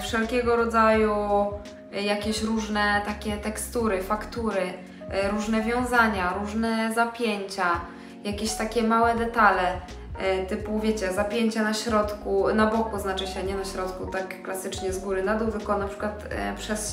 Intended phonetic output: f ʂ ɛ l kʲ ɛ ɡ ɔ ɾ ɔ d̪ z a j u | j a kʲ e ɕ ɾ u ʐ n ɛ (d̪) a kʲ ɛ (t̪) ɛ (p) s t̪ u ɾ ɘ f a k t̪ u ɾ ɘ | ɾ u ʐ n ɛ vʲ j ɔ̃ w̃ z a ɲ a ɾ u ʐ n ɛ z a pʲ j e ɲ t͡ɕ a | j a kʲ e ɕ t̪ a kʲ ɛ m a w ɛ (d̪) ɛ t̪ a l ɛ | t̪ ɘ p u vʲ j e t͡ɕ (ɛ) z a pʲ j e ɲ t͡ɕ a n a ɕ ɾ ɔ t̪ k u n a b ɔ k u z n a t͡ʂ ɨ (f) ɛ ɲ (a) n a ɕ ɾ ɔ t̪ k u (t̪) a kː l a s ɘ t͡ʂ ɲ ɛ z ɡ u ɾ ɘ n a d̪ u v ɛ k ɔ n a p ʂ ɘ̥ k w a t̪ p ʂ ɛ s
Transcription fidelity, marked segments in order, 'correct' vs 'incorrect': incorrect, correct, incorrect, correct, correct, incorrect, incorrect, correct

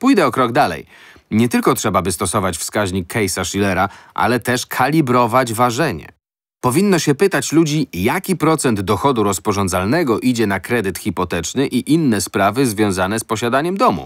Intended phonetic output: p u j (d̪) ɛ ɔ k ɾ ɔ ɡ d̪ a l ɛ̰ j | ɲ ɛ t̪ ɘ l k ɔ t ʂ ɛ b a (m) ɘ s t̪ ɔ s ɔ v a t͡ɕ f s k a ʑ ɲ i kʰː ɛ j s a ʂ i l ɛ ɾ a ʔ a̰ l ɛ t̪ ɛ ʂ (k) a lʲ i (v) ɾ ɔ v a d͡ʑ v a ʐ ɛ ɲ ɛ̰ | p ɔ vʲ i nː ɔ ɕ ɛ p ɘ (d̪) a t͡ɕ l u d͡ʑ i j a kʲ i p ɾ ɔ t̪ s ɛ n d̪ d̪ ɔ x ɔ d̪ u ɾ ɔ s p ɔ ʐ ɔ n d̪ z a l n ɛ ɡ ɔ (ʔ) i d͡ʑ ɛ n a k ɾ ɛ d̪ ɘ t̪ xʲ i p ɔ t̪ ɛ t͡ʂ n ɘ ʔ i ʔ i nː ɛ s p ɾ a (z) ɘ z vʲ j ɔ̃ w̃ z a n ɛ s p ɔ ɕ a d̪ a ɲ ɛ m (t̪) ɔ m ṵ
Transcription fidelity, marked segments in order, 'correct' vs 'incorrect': correct, incorrect, incorrect, incorrect, incorrect, correct, incorrect, incorrect

